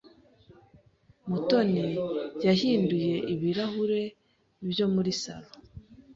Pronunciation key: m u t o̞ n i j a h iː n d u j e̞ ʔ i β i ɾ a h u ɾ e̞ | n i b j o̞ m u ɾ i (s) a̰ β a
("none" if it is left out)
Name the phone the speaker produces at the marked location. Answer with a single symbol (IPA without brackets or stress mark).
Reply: s